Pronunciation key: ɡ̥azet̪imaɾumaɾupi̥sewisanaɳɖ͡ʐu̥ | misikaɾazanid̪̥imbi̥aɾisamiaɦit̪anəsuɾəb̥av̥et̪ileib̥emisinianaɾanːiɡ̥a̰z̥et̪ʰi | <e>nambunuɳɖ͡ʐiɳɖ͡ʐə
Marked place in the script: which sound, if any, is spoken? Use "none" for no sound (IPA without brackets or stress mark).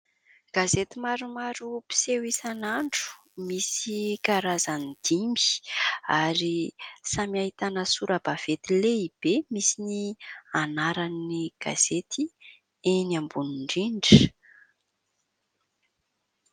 e